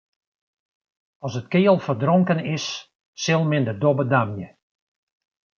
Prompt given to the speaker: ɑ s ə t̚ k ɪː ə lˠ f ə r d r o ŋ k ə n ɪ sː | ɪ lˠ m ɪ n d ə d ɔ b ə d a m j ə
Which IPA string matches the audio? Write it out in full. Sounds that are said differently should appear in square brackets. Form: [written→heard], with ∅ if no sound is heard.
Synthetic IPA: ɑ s ə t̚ k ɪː ə lˠ f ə r d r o ŋ k ə n ɪ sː | ɪ lˠ m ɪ n d ə d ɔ b ə d a m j ə

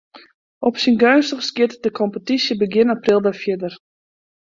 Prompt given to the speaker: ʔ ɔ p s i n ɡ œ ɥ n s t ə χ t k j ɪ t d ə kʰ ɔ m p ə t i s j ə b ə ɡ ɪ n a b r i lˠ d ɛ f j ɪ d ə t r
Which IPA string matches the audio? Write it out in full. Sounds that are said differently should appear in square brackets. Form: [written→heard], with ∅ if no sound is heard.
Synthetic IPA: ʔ ɔ p s i n ɡ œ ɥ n s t ə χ [t→s] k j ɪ t d ə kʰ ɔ m p ə t i s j ə b ə ɡ ɪ n a [b→p] r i lˠ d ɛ f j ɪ d ə [t→∅] r

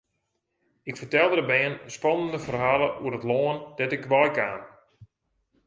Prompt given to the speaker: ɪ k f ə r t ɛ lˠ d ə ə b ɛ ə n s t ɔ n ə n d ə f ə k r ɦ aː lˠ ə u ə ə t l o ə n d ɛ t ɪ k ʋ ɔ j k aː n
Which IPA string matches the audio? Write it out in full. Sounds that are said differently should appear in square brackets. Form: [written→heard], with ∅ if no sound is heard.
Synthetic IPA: ɪ k f ə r t ɛ lˠ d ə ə b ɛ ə n s [t→p] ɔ n ə n d ə f ə [k→∅] r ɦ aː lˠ ə u ə ə t l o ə n d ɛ t ɪ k ʋ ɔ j k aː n

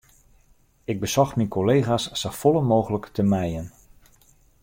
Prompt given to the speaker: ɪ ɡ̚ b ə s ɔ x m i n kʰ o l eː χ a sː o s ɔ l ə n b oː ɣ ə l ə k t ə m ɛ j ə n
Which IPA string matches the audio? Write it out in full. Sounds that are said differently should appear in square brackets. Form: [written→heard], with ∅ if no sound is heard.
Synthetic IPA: ɪ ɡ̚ b ə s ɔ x m i n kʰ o l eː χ a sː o [s→f] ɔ l ə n [b→m] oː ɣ ə l ə k t ə m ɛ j ə n

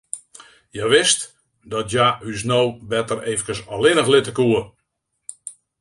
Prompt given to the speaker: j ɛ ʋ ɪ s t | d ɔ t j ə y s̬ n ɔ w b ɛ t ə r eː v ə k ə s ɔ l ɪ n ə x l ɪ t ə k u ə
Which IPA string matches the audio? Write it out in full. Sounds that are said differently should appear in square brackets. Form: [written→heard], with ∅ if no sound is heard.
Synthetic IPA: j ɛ ʋ ɪ s t | d ɔ t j [ə→a] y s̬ n [ɔ→o] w b ɛ t ə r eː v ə k ə s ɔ l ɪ n ə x l ɪ t ə k u ə

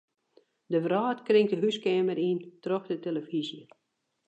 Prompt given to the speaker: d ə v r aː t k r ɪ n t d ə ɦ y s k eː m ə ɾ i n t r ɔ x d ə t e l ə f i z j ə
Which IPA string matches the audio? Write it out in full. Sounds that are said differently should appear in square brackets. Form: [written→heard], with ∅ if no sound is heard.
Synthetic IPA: d ə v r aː t k r ɪ [n→ŋ] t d ə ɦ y s k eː m ə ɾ i n t r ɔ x d ə t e l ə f i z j ə

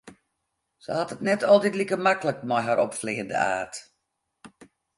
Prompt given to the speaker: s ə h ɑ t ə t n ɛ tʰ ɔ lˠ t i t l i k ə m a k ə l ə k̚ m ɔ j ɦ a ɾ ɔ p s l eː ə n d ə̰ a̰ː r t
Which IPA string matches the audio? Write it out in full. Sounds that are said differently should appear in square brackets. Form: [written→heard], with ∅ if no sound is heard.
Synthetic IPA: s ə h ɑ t ə t n ɛ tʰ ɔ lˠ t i t l i k ə m a k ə l ə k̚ m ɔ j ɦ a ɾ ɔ p [s→f] l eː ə n d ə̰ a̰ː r t

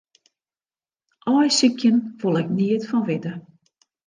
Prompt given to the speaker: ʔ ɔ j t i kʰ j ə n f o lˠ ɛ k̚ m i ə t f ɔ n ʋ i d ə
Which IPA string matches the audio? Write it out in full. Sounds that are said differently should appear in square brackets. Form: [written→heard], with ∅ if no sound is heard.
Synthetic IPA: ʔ ɔ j [t→s] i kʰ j ə n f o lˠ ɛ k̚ [m→n] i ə t f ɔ n ʋ [i→ɪ] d ə

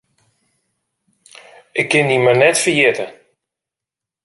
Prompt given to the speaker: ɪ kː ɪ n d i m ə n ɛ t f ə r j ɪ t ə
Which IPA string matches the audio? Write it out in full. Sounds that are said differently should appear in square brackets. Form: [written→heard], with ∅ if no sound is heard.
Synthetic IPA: ɪ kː ɪ n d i m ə n ɛ t f ə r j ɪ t ə

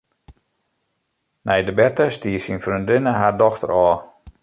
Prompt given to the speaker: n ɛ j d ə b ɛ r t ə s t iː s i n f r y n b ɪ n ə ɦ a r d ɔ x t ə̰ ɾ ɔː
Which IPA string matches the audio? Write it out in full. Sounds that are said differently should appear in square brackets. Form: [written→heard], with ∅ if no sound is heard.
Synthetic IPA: n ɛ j d ə b ɛ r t ə s t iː s i n f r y n [b→d] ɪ n ə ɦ a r d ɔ x t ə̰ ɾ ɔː

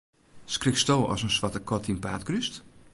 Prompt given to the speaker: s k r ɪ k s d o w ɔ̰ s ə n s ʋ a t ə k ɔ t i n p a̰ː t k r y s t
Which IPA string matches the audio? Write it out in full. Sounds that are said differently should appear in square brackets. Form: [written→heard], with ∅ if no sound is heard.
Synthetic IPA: s k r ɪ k s [d→t] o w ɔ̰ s ə n s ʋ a t ə k ɔ t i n p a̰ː t k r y s t

